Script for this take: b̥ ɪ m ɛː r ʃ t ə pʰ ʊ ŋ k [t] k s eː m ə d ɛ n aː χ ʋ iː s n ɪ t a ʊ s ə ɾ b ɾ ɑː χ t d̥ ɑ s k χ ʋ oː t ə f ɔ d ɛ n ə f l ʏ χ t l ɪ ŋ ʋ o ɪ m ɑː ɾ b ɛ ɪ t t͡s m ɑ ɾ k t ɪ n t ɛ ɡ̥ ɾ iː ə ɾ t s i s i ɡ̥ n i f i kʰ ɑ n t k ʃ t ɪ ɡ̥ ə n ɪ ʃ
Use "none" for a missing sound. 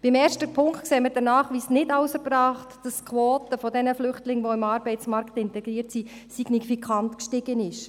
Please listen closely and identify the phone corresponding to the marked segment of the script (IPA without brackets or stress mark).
t